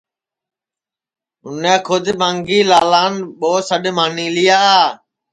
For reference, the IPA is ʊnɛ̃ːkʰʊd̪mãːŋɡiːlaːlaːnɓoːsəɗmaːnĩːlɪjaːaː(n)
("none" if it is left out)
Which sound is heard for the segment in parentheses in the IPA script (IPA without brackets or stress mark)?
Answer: none